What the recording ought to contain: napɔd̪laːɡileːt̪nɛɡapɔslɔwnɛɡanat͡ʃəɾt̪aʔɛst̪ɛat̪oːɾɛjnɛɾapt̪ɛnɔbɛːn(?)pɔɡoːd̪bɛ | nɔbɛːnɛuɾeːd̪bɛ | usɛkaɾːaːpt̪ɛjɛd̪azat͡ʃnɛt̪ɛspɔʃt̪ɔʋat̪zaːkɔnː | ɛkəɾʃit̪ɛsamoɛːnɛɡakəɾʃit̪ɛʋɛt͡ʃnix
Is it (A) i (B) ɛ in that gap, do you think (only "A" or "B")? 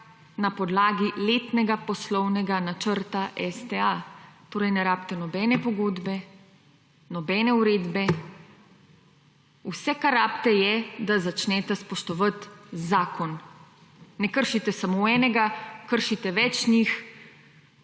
B